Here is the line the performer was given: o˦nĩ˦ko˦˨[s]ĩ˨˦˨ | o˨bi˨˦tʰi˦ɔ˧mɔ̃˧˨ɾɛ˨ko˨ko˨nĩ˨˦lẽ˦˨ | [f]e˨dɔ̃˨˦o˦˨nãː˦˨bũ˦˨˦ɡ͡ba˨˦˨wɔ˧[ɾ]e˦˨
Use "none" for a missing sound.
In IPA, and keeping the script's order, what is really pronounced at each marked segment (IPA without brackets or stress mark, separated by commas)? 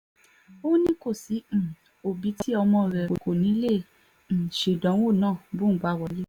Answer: s, ʃ, l